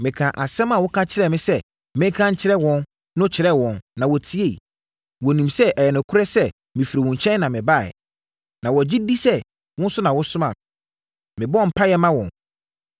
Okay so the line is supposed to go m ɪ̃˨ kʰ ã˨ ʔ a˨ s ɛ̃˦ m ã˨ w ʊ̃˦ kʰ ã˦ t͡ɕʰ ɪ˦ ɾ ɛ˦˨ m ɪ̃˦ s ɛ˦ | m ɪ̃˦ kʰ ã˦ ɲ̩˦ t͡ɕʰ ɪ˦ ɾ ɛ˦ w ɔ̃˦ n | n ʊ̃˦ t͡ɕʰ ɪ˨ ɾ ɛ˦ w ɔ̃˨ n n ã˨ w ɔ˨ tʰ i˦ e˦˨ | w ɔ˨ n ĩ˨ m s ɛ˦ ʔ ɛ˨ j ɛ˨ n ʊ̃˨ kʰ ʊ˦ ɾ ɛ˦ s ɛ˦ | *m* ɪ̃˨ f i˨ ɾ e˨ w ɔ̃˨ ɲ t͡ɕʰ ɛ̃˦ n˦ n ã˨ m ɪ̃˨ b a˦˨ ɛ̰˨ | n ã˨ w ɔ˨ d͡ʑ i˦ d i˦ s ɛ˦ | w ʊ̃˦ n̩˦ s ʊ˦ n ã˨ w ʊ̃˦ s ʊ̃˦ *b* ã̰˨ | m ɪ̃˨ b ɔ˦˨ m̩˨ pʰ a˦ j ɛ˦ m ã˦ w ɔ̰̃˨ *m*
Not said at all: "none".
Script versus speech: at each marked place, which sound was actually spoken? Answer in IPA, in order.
m, m, n

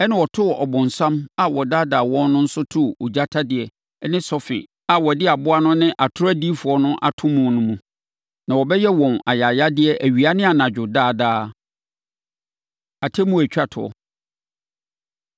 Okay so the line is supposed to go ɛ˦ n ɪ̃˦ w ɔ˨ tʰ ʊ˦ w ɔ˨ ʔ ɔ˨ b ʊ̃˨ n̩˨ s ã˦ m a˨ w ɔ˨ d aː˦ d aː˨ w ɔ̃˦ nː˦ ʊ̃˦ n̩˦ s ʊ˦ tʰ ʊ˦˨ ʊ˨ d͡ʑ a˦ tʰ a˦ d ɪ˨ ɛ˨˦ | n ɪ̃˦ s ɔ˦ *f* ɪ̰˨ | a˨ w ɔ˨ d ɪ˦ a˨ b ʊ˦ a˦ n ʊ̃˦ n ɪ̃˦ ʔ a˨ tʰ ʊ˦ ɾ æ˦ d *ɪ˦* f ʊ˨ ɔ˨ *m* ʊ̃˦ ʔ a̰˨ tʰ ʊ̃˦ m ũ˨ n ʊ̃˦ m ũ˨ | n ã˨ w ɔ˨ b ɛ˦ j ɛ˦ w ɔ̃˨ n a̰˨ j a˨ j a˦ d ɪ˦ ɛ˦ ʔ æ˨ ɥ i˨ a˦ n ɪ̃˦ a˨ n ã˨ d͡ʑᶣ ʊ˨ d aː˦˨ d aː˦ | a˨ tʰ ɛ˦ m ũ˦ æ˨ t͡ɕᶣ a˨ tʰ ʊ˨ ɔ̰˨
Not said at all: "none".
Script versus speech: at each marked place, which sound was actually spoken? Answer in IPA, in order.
f, i˦, n

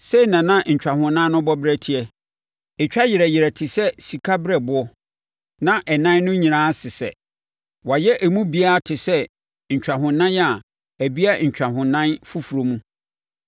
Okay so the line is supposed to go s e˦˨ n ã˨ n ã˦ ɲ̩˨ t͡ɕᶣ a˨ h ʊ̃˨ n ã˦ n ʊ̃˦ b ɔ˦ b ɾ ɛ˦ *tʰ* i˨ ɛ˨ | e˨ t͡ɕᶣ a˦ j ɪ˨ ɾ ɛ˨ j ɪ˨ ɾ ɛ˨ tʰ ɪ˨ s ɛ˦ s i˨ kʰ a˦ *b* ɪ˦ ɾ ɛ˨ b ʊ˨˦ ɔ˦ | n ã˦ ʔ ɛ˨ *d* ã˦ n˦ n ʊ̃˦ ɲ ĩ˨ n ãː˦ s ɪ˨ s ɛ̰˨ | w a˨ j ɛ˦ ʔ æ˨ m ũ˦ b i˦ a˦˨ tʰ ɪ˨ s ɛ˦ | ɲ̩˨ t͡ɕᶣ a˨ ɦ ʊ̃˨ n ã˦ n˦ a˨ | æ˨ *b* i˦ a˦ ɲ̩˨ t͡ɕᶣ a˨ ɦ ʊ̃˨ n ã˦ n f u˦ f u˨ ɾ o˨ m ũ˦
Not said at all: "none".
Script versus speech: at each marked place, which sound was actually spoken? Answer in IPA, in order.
tʰ, b, n, b

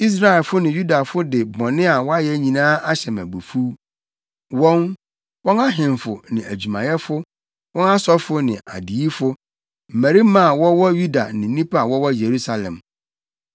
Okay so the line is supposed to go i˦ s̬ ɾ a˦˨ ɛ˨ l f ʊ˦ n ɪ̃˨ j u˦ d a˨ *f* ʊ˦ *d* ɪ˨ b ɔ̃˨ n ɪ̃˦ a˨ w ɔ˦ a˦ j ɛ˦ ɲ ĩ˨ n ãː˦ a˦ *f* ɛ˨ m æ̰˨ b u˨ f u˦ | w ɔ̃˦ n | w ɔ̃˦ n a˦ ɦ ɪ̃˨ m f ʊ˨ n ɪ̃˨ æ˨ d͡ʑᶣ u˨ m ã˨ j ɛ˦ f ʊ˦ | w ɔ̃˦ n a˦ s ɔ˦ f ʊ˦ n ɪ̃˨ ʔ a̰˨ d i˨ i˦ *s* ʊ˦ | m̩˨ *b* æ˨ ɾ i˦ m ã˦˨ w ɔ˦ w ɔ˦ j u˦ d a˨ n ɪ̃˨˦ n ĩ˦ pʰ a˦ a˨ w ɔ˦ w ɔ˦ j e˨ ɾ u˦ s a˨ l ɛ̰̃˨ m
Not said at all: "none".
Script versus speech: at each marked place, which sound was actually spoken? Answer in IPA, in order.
f, d, ɕ, f, m

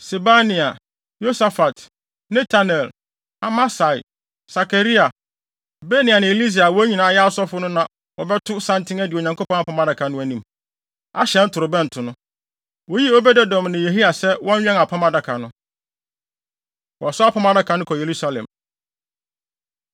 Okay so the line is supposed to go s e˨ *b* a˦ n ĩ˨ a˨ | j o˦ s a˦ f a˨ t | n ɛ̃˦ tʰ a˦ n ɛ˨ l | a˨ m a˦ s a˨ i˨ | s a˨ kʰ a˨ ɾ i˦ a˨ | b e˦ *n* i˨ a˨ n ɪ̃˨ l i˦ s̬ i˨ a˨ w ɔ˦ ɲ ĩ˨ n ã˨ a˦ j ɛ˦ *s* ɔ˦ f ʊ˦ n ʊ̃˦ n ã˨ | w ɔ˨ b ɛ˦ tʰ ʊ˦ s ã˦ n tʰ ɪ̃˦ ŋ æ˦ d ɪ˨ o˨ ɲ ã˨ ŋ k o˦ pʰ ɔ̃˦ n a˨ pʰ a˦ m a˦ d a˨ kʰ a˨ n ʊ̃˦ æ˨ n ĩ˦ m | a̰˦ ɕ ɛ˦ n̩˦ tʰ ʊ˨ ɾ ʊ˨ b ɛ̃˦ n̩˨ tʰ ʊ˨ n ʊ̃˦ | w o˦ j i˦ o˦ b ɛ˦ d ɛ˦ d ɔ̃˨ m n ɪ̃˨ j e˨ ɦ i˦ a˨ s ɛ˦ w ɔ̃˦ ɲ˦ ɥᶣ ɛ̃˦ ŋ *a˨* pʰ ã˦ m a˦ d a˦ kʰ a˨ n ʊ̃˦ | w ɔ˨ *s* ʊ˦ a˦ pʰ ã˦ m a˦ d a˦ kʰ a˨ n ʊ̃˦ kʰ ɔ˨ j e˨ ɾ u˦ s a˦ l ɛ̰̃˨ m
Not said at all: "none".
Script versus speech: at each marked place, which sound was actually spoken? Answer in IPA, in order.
b, n, s, a˨, s

